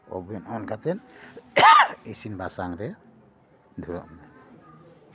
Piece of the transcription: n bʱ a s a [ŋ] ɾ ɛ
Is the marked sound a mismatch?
no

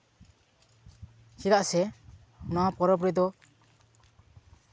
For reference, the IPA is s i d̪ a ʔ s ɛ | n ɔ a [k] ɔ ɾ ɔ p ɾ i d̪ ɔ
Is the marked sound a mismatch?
yes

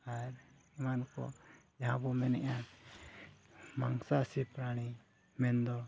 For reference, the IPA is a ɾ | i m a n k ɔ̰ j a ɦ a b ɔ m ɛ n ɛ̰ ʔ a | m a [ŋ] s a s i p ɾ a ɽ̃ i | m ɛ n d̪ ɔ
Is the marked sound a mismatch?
no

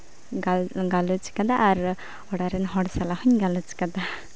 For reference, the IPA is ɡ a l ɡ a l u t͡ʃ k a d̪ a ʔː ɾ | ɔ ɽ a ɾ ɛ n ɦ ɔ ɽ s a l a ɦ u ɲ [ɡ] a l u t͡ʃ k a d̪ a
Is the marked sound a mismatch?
no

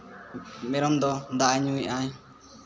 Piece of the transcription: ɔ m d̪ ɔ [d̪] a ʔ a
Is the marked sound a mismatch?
no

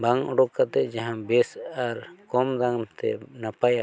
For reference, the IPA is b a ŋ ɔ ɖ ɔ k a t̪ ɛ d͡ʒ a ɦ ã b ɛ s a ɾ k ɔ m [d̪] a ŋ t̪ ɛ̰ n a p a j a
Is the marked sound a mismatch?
no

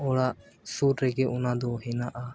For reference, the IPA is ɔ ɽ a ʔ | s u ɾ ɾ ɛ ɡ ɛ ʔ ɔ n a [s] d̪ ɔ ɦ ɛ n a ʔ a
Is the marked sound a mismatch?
yes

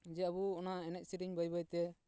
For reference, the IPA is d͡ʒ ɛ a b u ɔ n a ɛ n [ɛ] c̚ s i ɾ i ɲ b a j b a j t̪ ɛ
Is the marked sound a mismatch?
no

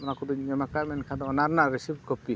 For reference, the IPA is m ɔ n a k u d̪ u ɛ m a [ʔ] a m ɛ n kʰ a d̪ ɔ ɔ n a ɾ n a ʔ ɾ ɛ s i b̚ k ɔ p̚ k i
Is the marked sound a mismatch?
yes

